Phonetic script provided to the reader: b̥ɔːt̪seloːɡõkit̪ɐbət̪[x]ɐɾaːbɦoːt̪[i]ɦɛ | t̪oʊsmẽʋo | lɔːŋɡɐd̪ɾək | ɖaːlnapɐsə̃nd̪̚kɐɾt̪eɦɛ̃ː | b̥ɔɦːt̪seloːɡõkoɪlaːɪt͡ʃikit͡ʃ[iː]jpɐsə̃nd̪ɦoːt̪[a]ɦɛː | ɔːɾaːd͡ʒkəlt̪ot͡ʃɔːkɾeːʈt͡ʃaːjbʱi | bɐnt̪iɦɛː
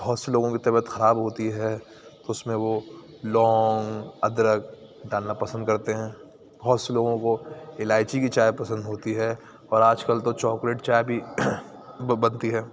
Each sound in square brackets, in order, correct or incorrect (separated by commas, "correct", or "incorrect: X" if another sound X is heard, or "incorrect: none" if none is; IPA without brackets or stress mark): correct, correct, incorrect: aː, incorrect: i